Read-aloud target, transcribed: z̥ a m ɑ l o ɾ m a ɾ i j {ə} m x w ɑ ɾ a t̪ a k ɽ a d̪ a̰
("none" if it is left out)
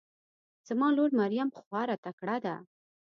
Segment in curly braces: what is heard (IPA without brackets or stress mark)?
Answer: a